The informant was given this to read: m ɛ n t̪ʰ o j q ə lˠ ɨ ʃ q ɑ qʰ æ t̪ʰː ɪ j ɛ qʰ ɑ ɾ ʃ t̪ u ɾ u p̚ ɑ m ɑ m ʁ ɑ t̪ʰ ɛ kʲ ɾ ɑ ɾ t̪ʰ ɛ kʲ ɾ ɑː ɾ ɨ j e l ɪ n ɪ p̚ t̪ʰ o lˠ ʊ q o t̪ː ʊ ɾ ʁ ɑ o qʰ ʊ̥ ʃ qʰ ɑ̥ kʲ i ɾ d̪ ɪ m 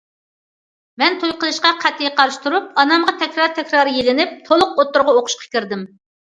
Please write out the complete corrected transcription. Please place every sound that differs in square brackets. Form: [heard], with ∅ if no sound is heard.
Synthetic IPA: m ɛ n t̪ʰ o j q ə lˠ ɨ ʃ q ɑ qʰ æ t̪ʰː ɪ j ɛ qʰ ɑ ɾ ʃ t̪ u ɾ u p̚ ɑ [n] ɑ m ʁ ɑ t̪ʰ ɛ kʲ ɾ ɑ ɾ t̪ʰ ɛ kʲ ɾ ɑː ɾ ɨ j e l ɪ n ɪ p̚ t̪ʰ o lˠ ʊ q o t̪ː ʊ ɾ ʁ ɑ o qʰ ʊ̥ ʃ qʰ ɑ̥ kʲ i ɾ d̪ ɪ m